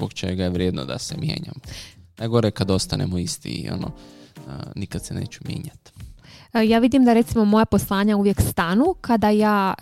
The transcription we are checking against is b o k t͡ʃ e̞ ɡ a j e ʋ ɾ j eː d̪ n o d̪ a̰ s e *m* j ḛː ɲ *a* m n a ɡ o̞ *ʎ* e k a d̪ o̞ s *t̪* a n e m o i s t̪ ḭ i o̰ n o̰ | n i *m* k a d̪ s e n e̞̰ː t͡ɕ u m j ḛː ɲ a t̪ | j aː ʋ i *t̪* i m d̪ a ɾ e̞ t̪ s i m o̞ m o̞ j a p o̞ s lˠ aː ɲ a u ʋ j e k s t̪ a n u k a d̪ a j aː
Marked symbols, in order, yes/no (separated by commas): yes, yes, no, yes, no, no